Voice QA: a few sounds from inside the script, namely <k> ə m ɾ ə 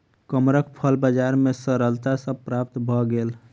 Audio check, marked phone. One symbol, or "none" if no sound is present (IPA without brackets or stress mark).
k